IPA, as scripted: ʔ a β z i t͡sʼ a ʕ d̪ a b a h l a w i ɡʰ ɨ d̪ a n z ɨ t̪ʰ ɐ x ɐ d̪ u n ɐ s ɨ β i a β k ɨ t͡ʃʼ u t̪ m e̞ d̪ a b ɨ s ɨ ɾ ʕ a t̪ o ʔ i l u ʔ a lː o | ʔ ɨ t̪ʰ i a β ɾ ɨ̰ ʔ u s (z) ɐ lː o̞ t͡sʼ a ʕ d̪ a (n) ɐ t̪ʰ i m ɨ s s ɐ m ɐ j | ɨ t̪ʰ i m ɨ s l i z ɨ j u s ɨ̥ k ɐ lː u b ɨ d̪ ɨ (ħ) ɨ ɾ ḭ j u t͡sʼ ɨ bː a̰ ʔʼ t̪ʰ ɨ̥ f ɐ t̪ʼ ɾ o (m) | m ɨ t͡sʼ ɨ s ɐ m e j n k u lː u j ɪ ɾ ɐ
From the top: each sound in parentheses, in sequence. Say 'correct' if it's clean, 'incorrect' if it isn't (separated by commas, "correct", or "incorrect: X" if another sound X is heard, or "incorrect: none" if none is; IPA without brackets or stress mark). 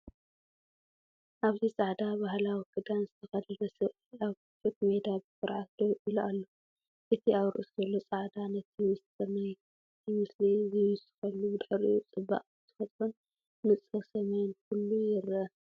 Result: correct, correct, correct, incorrect: n